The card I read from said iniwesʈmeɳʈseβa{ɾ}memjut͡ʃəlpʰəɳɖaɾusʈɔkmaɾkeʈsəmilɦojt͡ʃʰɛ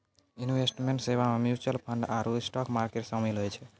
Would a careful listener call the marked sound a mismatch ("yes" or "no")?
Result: yes